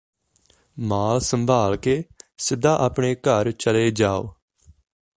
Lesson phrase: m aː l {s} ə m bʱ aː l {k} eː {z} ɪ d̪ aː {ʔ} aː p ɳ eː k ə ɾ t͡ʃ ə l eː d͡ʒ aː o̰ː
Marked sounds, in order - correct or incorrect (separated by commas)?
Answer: correct, correct, incorrect, correct